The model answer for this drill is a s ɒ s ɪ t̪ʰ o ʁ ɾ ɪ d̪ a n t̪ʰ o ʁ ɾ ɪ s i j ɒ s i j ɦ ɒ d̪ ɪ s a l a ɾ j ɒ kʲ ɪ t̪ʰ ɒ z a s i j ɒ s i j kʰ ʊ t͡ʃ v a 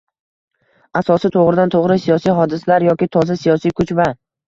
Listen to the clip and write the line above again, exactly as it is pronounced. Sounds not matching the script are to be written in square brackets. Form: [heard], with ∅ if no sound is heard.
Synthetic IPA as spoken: a s ɒ s ɪ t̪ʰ o ʁ ɾ ɪ d̪ a n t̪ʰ o ʁ ɾ ɪ s i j ɒ s i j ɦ ɒ d̪ ɪ s a l a ɾ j ɒ kʲ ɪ t̪ʰ ɒ z a s i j ɒ s i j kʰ ʊ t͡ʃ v a